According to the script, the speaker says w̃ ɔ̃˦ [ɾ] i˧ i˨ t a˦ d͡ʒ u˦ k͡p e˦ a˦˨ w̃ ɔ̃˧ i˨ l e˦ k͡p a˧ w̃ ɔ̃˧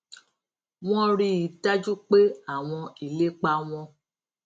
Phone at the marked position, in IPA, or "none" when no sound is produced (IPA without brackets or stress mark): ɾ